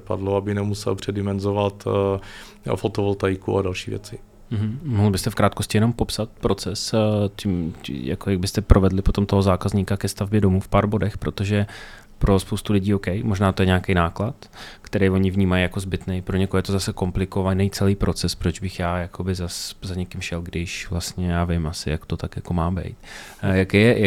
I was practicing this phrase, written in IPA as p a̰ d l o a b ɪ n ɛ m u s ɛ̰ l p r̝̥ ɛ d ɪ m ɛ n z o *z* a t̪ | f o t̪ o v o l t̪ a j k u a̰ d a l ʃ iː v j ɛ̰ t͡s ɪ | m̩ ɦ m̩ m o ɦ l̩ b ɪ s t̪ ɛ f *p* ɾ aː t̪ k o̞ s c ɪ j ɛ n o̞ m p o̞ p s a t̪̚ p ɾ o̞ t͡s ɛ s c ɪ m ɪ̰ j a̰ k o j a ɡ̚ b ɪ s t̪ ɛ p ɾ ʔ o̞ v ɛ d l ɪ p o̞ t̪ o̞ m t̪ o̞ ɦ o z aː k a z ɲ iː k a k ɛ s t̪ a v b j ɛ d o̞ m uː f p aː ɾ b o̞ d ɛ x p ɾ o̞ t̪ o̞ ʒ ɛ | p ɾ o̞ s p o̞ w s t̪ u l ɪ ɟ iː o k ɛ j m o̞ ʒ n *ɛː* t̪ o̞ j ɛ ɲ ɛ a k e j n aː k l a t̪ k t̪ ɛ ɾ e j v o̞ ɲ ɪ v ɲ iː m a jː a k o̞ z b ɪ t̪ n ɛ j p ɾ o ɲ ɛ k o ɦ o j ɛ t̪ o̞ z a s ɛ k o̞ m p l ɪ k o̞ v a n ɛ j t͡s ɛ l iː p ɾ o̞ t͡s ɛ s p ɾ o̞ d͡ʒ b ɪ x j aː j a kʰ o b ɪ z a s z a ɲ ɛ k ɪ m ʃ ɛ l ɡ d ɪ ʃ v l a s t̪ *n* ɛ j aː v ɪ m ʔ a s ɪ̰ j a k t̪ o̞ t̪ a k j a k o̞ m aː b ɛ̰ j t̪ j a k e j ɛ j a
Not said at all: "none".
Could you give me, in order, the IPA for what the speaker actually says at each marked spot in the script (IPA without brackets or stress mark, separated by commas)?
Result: v, k, aː, ɲ